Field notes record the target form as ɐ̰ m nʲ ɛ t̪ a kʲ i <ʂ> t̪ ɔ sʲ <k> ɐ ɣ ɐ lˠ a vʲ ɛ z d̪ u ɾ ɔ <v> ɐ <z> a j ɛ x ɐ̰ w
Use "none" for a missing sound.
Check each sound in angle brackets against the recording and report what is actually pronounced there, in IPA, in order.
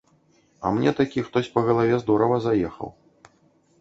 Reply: x, p, v, z

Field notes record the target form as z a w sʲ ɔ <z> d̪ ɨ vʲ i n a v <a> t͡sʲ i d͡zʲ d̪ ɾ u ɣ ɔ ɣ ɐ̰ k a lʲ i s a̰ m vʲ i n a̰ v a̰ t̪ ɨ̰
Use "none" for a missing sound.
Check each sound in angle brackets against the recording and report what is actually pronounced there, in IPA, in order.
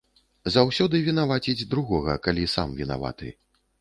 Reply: none, a

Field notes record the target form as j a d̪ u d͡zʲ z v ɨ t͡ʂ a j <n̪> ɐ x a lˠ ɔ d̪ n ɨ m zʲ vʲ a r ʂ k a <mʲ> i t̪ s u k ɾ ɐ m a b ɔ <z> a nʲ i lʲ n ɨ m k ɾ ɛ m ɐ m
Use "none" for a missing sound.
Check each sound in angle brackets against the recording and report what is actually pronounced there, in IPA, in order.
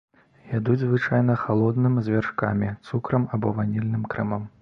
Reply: n̪, mʲ, v

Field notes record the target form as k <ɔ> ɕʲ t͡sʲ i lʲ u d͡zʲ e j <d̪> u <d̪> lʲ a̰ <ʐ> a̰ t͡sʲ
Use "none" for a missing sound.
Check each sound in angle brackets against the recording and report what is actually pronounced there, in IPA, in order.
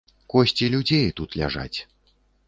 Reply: ɔ, t̪, t̪, ʐ

